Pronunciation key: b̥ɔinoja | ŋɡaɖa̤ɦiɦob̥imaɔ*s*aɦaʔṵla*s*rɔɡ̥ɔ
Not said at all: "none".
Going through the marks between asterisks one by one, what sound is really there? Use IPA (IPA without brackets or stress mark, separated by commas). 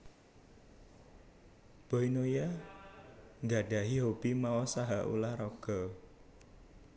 s, h